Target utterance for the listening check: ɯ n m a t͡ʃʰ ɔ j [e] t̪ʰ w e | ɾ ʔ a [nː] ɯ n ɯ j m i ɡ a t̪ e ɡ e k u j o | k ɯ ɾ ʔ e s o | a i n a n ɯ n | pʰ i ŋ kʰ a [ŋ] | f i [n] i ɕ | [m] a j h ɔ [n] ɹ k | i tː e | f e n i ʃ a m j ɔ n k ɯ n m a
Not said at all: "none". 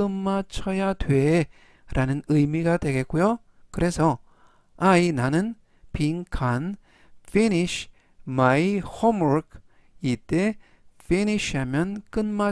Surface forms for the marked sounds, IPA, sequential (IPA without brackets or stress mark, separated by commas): a, n, n, n, m, m